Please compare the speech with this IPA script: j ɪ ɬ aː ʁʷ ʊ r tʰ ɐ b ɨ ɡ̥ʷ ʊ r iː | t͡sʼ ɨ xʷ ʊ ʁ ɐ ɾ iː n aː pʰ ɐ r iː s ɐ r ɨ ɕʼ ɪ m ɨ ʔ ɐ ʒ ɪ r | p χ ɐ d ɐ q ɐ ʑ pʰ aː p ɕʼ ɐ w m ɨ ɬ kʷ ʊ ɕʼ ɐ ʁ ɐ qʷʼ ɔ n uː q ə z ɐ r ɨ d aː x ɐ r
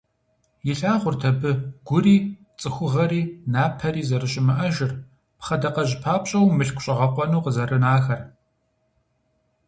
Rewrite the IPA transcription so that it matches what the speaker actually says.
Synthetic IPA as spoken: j ɪ ɬ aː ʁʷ ʊ r tʰ ɐ b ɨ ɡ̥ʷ ʊ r iː | t͡sʼ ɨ xʷ ʊ ʁ ɐ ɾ iː n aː pʰ ɐ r iː z ɐ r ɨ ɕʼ ɪ m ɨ ʔ ɐ ʒ ɪ r | p χ ɐ d ɐ q ɐ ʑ pʰ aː p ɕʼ ɐ w m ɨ ɬ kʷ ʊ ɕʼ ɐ ʁ ɐ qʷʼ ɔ n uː q ə z ɐ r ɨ n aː x ɐ r

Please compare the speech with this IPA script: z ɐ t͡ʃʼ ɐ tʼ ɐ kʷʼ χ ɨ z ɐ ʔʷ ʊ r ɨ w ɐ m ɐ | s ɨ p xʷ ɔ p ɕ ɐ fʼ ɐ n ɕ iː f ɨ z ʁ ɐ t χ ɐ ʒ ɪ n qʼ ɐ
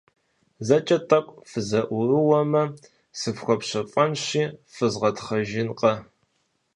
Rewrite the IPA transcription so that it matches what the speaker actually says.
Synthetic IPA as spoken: z ɐ t͡ʃʼ ɐ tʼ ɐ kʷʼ f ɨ z ɐ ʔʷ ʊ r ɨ w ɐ m ɐ | s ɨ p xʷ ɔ p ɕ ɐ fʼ ɐ n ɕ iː f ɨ z ʁ ɐ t χ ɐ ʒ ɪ n qʼ ɐ

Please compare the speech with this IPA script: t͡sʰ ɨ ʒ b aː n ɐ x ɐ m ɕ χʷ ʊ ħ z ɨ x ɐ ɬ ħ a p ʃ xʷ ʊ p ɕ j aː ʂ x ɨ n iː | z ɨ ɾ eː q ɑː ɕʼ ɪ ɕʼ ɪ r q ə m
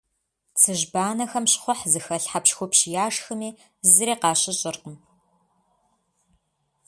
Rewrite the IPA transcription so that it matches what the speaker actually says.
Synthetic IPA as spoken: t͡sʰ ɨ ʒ b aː n ɐ x ɐ m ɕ χʷ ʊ ħ z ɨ x ɐ ɬ ħ a p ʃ xʷ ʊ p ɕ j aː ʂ x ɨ m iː | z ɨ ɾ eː q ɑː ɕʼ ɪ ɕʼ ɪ r q ə m

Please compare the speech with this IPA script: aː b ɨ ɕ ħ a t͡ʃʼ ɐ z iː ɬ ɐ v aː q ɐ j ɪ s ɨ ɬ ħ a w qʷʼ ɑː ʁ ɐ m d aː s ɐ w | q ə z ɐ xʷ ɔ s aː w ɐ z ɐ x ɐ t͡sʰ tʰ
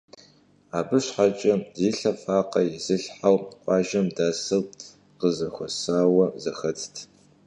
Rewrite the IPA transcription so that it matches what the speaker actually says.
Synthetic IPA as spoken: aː b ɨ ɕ ħ a t͡ʃʼ ɐ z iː ɬ ɐ f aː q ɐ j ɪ z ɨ ɬ ħ a w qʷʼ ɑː ʒ ɐ m d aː s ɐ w | q ə z ɐ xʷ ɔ s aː w ɐ z ɐ x ɐ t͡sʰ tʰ

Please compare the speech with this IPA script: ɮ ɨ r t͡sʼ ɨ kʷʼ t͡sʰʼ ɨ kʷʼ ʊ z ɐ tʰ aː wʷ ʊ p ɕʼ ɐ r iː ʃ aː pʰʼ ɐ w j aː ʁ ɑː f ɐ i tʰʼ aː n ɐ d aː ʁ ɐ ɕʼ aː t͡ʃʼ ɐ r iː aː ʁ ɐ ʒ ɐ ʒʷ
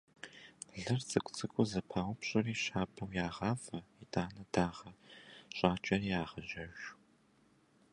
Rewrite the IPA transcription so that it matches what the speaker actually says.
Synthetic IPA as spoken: ɮ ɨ r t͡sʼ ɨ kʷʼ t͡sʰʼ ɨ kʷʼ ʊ z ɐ pʰ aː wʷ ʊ p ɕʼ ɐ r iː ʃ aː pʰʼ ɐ w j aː ʁ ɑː f ɐ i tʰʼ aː n ɐ d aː ʁ ɐ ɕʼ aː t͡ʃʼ ɐ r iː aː ʁ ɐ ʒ ɐ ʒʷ

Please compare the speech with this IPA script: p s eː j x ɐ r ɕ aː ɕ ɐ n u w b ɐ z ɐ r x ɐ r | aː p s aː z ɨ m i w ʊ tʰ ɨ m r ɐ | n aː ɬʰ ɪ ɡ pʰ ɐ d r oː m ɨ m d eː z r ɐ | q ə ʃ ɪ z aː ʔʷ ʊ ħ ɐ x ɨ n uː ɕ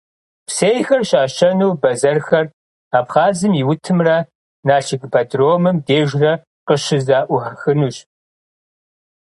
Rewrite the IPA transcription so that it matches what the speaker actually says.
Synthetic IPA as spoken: p s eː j x ɐ r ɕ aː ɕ ɐ n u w b ɐ z ɐ r x ɐ r | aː p χ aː z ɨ m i w ʊ tʰ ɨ m r ɐ | n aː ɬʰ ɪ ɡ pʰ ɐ d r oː m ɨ m d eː ʒ r ɐ | q ə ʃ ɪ z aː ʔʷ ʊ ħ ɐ x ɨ n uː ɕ

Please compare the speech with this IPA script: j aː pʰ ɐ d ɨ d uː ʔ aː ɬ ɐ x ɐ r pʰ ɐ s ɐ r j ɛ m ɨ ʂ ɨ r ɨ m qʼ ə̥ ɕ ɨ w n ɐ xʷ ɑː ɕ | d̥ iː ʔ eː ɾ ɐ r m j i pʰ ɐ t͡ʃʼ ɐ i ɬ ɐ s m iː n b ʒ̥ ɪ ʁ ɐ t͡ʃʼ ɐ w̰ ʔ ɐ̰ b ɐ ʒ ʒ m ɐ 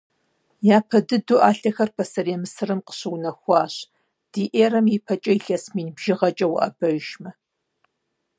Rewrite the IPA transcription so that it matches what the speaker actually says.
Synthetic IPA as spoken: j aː pʰ ɐ d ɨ d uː ʔ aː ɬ ɐ x ɐ r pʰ ɐ s ɐ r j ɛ m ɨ s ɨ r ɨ m q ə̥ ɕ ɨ w n ɐ xʷ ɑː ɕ | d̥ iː ʔ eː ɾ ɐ m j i pʰ ɐ t͡ʃʼ ɐ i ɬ ɐ s m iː n b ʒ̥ ɪ ʁ ɐ t͡ʃʼ ɐ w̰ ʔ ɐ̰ b ɐ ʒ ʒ m ɐ

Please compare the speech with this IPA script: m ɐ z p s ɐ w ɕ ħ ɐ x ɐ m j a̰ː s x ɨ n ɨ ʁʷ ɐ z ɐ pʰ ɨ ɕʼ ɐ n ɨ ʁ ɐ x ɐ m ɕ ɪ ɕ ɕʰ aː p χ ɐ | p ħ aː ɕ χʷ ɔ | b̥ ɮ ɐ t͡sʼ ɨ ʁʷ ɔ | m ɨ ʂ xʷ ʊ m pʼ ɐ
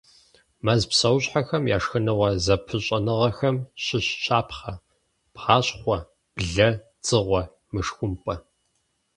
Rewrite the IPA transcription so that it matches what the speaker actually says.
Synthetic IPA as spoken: m ɐ z p s ɐ w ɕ ħ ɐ x ɐ m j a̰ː ʂ x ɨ n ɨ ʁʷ ɐ z ɐ pʰ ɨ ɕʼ ɐ n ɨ ʁ ɐ x ɐ m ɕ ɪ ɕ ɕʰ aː p χ ɐ | p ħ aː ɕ χʷ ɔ | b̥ ɮ ɐ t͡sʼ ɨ ʁʷ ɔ | m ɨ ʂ xʷ ʊ m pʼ ɐ

